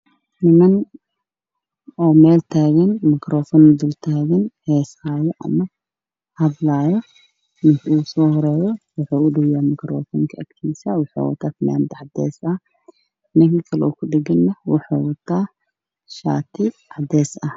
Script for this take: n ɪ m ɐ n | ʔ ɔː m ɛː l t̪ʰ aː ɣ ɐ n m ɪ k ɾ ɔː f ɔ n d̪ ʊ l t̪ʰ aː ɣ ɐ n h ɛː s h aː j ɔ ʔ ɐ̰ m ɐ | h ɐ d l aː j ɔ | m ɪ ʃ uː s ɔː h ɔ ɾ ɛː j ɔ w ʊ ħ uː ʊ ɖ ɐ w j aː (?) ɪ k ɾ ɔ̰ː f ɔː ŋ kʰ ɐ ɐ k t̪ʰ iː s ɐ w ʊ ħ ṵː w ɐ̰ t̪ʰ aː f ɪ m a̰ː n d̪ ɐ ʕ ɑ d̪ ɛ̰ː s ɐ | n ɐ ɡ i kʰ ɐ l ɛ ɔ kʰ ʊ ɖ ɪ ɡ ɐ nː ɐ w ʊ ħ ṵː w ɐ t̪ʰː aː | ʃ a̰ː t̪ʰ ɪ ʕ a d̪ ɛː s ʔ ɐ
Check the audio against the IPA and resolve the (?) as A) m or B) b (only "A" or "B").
A